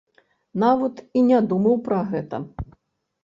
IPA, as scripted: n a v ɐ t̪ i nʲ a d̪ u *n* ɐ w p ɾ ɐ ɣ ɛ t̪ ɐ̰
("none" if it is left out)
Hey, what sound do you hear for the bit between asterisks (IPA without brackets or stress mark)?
m